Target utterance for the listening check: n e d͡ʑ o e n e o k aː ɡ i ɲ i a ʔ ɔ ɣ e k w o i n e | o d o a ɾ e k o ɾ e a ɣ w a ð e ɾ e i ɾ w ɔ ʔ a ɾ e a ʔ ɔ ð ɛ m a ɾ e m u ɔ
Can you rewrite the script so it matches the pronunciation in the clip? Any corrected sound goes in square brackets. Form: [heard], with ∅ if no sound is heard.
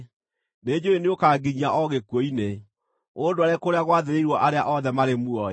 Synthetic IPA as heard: n e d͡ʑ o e n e o k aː ɡ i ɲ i a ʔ ɔ ɣ e k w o i n e | o d o a ɾ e k o ɾ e a ɣ w a ð e ɾ e i ɾ w ɔ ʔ a ɾ e a ʔ ɔ ð ɛ m a ɾ e m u ɔ

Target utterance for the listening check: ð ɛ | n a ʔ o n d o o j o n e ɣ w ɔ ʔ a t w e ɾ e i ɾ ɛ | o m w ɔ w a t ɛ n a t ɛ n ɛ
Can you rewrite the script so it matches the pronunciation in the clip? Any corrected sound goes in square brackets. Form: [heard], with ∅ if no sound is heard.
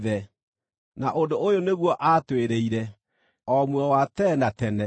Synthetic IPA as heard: ð ɛ | n a ʔ o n d o o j o n e ɣ w ɔ ʔ a t w e ɾ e i ɾ ɛ | [ɔ] m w ɔ w a t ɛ n a t ɛ n ɛ

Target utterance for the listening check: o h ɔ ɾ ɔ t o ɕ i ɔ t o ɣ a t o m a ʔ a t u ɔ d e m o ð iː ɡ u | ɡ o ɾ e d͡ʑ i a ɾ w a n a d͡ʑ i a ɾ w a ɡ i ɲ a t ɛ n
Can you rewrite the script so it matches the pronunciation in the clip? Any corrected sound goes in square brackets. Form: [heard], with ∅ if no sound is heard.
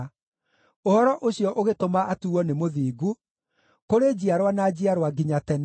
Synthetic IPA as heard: o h ɔ ɾ ɔ [ʔ] o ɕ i ɔ [ʔ] o ɣ [e] t o m a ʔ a t u ɔ [n] e m o ð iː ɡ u | [k] o ɾ e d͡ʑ i a ɾ w a n a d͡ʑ i a ɾ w a ɡ i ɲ a t ɛ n

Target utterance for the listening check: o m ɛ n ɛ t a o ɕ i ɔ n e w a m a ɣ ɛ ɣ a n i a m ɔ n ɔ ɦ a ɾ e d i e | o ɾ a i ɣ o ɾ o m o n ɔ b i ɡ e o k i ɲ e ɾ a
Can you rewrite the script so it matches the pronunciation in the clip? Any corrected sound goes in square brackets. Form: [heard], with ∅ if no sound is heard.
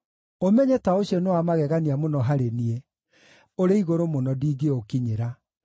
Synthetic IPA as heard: o m ɛ [ɲ] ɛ t a o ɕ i ɔ n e w a m a ɣ ɛ ɣ a n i a m [o] n ɔ ɦ a ɾ e [n] i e | o ɾ [e] i ɣ o ɾ o m o n ɔ [d] i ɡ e o k i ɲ e ɾ a

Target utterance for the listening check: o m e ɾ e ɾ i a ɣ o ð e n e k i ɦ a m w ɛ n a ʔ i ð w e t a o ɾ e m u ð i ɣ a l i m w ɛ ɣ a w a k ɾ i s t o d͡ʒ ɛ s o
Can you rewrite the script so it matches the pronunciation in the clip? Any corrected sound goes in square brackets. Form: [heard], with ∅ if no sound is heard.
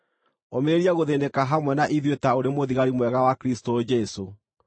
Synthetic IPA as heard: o m e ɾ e ɾ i a ɣ o ð e n e k [a] ɦ a m w ɛ n a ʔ i ð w e t a o ɾ e m [o] ð i ɣ a [ɾ] i m w ɛ ɣ a w a k ɾ i s t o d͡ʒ ɛ s o

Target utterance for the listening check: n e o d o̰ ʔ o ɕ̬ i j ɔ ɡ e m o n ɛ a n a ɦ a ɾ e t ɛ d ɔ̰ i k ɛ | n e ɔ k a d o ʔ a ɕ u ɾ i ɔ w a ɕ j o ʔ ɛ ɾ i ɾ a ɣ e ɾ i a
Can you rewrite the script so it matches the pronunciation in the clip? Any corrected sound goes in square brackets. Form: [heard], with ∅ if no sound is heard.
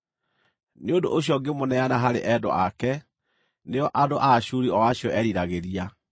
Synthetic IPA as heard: n e o d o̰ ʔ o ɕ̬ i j ɔ ɡ e m o n ɛ a n a ɦ a ɾ e [ʔ] ɛ d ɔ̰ [a] k ɛ | n e ɔ [ʔ] a d o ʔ a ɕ u ɾ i ɔ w a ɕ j [ɔ] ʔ ɛ ɾ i ɾ a ɣ e ɾ i a

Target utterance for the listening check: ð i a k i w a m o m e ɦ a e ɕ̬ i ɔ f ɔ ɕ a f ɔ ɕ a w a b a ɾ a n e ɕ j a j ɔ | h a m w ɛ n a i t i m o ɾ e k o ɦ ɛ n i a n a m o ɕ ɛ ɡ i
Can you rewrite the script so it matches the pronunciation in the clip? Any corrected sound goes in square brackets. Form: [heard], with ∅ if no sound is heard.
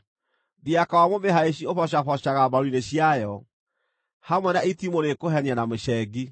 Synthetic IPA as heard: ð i a k [a] w a m o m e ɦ a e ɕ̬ i [o] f ɔ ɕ a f ɔ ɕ a [ɣ] a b a ɾ [i] n e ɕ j a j ɔ | h a m w ɛ n a i t i m o ɾ e k o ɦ ɛ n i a n a m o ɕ ɛ ɡ i

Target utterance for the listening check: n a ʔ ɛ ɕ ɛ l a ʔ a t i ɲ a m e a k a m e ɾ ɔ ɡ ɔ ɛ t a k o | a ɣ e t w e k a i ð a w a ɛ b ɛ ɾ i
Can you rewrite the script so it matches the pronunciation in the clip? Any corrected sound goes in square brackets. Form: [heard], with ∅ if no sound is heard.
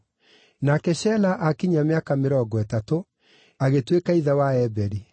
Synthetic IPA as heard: n a [k] ɛ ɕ ɛ l a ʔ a [k] i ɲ a m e a k a m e ɾ ɔ ɡ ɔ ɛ t a [t] o | a ɣ e t w e k a i ð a w a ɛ b ɛ ɾ i

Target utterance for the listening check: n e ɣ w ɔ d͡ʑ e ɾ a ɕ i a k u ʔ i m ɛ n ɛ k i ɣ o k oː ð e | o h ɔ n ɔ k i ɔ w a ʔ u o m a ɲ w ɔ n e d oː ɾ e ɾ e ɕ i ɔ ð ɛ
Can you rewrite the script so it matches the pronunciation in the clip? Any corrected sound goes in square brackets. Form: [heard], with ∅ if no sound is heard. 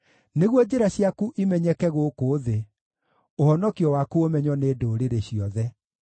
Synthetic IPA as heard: n e ɣ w ɔ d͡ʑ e ɾ a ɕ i a k u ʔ i m ɛ [ɲ] ɛ k [ɛ] ɣ o k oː ð e | o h ɔ n ɔ k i ɔ w a [k] u o m [ɛ] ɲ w ɔ n e d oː ɾ e ɾ e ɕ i ɔ ð ɛ

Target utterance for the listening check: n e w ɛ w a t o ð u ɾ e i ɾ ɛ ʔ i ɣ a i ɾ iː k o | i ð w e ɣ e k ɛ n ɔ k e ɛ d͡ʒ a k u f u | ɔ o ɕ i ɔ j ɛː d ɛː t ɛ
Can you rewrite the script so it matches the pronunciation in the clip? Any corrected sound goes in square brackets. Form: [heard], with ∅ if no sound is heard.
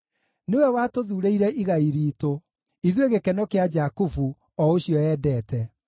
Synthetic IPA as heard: n e w ɛ w a t o ð u ɾ e i ɾ ɛ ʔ i ɣ a i ɾ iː [t] o | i ð w e ɣ e k ɛ n ɔ k e [a] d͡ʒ a k u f u | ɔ o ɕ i ɔ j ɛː d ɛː t ɛ

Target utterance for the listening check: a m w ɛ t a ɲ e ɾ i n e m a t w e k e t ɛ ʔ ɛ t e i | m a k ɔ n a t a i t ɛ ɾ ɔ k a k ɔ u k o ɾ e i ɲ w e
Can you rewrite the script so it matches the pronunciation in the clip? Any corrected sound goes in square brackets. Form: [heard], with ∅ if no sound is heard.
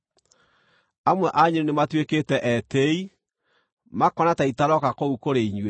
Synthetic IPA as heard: a m w ɛ [ʔ] a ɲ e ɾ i n e m a t w e k e t ɛ ʔ ɛ t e i | m a k ɔ n a t a i t [a] ɾ ɔ k a k [o] u k o ɾ e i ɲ w e

